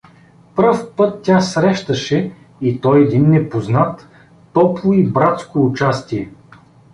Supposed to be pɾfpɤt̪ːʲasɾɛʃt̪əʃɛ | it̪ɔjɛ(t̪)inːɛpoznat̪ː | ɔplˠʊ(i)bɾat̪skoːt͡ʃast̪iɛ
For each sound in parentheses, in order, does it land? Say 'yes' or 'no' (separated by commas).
no, yes